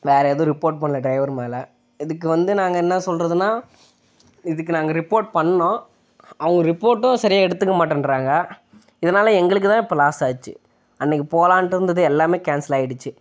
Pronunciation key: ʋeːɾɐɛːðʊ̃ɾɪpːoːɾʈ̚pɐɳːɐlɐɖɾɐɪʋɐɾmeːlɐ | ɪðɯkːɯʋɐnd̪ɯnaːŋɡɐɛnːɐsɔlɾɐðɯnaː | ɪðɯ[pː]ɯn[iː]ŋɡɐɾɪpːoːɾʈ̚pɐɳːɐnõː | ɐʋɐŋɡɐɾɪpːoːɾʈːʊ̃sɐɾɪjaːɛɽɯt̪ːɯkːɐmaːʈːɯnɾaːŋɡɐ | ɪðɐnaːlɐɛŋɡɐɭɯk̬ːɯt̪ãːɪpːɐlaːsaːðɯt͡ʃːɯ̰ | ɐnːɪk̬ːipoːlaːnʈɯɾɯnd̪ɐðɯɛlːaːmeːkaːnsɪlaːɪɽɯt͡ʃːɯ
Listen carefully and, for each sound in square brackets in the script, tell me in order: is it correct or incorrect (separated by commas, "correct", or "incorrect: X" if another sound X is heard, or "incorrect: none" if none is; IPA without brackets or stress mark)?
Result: incorrect: kː, incorrect: aː